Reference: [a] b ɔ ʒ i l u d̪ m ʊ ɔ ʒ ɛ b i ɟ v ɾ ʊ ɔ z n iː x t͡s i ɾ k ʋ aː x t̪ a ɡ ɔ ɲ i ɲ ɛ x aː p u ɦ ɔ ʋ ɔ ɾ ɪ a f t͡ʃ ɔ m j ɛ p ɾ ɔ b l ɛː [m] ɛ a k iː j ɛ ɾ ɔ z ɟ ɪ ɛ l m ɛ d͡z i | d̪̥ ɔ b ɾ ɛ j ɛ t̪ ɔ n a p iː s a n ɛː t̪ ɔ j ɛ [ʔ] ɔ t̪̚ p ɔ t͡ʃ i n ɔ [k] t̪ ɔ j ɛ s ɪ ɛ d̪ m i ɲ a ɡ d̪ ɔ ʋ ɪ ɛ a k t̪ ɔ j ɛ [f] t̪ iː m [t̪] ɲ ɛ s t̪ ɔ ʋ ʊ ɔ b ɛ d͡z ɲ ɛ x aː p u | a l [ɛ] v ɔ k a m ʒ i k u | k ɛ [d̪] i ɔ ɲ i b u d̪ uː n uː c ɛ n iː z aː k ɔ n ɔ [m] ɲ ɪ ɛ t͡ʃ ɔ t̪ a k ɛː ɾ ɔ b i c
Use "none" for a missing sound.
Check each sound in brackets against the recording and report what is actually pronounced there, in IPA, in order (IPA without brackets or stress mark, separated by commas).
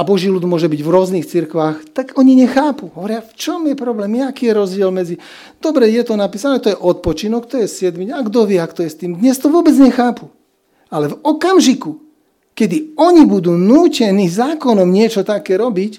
a, m, ʔ, k, s, d̪, ɛ, d̪, m